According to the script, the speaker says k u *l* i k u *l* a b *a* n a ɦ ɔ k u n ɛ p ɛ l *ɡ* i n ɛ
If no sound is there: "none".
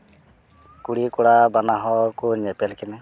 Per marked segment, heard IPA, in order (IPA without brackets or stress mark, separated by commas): ɽ, ɽ, a, k